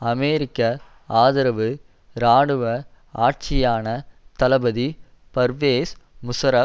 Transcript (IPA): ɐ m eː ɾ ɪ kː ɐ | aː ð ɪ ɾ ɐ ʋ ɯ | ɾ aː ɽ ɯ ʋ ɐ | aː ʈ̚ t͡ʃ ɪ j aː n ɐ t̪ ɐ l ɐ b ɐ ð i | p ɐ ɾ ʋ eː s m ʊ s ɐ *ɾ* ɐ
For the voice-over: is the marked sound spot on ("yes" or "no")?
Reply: yes